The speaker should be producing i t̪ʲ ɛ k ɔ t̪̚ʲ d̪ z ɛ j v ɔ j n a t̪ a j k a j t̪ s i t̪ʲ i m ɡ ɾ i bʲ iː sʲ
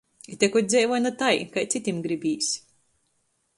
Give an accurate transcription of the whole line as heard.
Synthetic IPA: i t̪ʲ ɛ k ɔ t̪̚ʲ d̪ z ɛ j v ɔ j n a t̪ a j k a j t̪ s i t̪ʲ i m ɡ ɾ i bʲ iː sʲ

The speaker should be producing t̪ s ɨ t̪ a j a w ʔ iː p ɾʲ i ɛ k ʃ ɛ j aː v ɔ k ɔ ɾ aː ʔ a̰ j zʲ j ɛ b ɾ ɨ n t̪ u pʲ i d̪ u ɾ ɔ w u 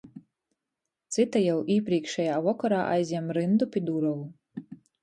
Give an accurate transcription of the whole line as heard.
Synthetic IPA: t̪ s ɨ t̪ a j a w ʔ iː p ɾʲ i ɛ k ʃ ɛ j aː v ɔ k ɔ ɾ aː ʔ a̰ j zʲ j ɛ m ɾ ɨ n d̪ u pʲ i d̪ u ɾ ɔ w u

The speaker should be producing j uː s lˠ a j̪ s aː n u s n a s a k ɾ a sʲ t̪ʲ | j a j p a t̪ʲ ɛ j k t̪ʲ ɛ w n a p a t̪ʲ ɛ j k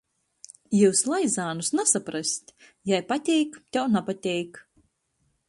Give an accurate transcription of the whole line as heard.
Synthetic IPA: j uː s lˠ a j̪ z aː n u s n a s a p ɾ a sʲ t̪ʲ | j a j p a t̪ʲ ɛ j k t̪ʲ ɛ w n a p a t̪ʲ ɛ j k

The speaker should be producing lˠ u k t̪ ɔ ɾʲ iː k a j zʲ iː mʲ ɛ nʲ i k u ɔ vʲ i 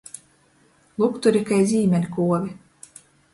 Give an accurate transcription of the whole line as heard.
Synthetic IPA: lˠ u k t̪ u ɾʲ i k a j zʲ iː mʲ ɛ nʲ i k u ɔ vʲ i

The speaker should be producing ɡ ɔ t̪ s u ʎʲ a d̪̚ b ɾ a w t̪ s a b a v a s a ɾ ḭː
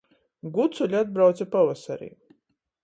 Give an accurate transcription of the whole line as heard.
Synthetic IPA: ɡ u t̪ s u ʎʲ a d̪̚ b ɾ a w t̪ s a p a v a s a ɾ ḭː

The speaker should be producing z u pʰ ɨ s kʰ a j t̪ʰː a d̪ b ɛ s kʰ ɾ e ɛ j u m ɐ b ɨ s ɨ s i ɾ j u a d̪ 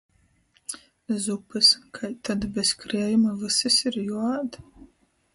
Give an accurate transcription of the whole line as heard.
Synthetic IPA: z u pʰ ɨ s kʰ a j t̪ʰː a d̪ b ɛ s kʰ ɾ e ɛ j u m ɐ v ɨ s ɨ s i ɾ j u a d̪

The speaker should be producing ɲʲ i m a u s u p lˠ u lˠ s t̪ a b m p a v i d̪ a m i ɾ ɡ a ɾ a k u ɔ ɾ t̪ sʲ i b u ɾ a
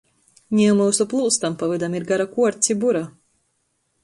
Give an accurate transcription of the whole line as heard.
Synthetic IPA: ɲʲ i m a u s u p lˠ u lˠ s t̪ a m p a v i d̪ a m i ɾ ɡ a ɾ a k u ɔ ɾ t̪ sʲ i b u ɾ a

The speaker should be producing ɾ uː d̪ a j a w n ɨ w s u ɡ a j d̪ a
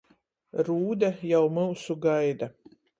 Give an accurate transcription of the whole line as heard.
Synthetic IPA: ɾ uː d̪ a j a w m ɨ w s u ɡ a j d̪ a

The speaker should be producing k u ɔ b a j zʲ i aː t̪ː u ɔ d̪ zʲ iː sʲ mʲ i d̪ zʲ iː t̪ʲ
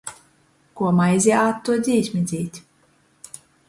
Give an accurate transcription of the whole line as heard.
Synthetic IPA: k u ɔ m a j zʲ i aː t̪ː u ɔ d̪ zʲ iː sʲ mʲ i d̪ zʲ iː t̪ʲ

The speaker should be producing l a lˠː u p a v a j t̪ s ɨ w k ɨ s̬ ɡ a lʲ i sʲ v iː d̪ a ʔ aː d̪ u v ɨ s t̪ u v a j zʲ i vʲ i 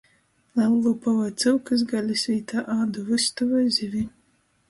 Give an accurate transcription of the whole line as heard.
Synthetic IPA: l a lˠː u p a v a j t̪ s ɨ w k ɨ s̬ ɡ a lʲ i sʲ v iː t̪ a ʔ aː d̪ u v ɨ s t̪ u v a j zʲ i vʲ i

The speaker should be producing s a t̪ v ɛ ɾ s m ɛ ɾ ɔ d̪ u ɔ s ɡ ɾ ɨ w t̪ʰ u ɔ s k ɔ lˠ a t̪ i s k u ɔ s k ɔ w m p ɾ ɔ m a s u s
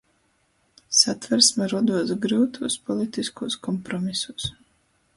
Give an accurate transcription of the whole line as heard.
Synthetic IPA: s a t̪ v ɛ ɾ s m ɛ ɾ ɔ d̪ u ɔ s ɡ ɾ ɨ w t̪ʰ u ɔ s p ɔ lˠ i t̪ i s k u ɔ s k ɔ m p ɾ ɔ m i s u s

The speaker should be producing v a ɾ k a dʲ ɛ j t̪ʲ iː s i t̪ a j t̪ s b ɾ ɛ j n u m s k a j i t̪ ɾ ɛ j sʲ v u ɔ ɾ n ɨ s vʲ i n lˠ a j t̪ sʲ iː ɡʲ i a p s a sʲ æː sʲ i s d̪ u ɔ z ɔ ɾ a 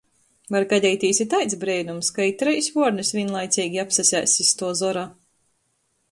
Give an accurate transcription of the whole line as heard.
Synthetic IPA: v a ɾ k a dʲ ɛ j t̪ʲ iː s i t̪ a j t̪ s b ɾ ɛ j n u m s k a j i t̪ ɾ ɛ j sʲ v u ɔ ɾ n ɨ s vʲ i n lˠ a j t̪ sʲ iː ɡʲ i a p s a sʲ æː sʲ i s t̪ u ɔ z ɔ ɾ a

